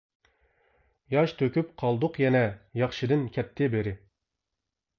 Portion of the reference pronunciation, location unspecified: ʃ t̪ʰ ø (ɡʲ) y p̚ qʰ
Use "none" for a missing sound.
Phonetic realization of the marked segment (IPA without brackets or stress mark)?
kʲ